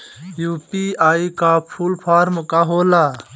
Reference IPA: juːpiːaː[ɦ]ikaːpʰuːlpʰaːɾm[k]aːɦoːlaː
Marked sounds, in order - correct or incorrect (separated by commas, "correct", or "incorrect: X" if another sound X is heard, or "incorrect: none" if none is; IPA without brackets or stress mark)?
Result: incorrect: none, correct